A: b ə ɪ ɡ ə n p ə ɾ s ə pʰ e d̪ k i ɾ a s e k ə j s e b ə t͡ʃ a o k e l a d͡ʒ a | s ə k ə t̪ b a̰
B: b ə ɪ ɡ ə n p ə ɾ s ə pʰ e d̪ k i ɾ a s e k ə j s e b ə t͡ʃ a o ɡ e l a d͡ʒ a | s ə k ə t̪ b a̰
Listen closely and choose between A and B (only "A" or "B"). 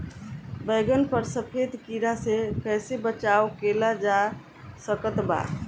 A